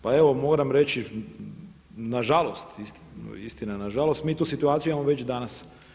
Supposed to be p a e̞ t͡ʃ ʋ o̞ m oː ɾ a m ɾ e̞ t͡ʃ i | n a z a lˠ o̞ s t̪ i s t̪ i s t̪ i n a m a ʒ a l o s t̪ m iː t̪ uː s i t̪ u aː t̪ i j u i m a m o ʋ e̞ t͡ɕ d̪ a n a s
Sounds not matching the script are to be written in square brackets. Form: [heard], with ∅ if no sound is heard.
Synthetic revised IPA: p a e̞ [∅] ʋ o̞ m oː ɾ a m ɾ e̞ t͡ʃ i | n a [ʒ] a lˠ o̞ s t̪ i s t̪ i s t̪ i n a [n] a ʒ a l o s t̪ m iː t̪ uː s i t̪ u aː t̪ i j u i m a m o ʋ e̞ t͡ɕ d̪ a n a s

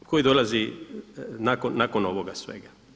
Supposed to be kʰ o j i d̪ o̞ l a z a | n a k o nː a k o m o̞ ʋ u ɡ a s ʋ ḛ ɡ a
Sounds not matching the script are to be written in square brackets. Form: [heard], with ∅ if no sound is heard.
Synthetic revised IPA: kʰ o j i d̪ o̞ l a z [i] | n a k o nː a k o [n] o̞ ʋ [o] ɡ a s ʋ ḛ ɡ a

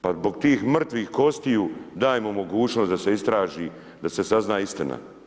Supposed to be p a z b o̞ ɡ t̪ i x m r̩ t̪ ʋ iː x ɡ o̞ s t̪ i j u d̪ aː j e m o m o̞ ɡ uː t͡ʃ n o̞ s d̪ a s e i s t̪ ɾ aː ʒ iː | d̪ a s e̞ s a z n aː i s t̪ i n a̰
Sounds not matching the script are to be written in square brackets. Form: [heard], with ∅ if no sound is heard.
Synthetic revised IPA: p a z b o̞ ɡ t̪ [iː] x m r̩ t̪ ʋ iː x [k] o̞ s t̪ i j u d̪ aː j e m o m o̞ ɡ uː t͡ʃ n o̞ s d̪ a s e i s t̪ ɾ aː ʒ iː | d̪ a s e̞ s a z n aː i s t̪ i n a̰

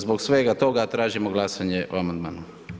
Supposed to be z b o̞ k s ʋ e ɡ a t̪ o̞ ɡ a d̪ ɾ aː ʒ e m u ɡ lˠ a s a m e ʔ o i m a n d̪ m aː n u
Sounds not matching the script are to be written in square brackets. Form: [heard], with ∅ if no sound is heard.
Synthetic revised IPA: z b o̞ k s ʋ e ɡ a t̪ o̞ ɡ a [t̪] ɾ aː ʒ [i] m [o] ɡ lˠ a s a [ɲ] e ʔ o [a] m a n d̪ m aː n u

